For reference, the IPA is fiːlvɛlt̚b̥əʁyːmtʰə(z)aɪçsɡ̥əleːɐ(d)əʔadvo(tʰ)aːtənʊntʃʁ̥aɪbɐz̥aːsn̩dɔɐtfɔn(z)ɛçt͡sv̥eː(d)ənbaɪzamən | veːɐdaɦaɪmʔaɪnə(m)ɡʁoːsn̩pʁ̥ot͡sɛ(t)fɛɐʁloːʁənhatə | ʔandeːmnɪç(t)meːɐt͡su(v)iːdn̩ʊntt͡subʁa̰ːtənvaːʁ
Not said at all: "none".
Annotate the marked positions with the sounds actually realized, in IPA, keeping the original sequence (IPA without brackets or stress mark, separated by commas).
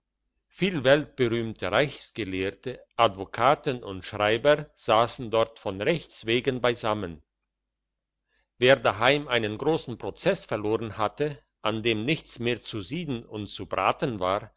ʁ, t, kʰ, ʁ, ɡ, n, s, t͡s, z